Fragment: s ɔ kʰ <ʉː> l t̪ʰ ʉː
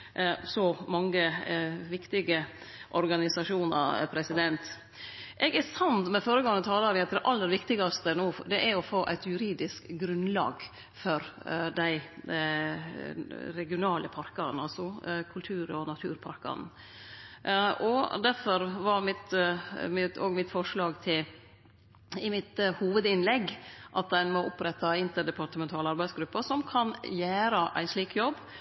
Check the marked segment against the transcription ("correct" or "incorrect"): incorrect